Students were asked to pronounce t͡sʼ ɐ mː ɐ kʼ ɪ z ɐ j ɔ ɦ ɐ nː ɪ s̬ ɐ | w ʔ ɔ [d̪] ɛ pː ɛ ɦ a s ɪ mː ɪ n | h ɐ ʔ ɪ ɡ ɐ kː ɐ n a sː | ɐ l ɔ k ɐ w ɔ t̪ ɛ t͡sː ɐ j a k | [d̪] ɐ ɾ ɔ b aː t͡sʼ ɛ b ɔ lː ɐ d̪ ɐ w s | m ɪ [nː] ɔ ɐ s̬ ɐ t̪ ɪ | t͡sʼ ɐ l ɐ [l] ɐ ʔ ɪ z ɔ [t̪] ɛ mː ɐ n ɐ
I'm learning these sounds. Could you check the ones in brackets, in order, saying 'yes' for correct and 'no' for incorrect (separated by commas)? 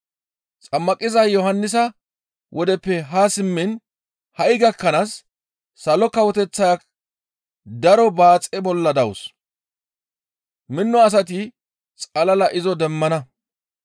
yes, yes, yes, yes, no